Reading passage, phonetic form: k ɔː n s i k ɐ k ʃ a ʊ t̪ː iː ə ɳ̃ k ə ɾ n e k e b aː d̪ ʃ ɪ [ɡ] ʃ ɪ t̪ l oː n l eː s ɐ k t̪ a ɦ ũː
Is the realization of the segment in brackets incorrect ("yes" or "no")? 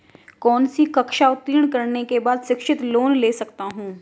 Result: yes